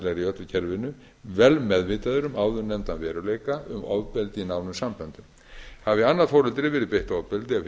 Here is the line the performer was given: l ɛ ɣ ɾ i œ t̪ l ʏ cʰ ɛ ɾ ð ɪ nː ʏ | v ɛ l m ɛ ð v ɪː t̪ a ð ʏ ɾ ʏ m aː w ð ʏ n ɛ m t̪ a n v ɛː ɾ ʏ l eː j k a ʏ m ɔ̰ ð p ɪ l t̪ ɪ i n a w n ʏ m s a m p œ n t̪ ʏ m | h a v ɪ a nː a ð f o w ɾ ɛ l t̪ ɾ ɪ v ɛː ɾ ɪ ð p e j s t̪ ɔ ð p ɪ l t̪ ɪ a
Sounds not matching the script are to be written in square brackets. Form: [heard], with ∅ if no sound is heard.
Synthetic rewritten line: l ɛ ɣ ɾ i œ t̪ l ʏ cʰ ɛ ɾ [v] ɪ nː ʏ | v ɛ l m ɛ ð v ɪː t̪ a ð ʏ ɾ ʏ m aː w ð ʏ n ɛ m t̪ a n v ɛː ɾ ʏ l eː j k a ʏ m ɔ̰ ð p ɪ l t̪ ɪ i n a w n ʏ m s a m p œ n t̪ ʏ m | h a v ɪ a nː a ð f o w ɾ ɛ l t̪ ɾ ɪ v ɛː ɾ ɪ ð p e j [h] t̪ ɔ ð p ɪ l t̪ ɪ a